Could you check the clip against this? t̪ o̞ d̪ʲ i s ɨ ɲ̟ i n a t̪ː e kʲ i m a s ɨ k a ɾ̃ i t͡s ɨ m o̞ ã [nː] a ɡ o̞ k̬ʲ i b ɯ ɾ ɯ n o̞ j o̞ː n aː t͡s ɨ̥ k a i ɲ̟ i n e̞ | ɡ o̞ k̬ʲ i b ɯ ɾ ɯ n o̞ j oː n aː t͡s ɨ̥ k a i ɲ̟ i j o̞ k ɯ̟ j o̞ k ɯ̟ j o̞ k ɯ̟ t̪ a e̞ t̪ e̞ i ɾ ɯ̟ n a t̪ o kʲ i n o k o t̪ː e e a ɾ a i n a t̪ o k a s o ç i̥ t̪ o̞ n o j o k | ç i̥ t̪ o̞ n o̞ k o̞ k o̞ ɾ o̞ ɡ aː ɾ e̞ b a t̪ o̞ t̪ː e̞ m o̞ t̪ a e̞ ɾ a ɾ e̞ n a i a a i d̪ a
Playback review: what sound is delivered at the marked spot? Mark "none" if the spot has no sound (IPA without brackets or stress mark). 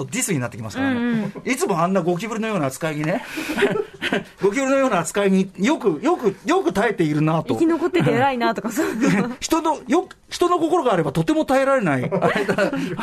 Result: nː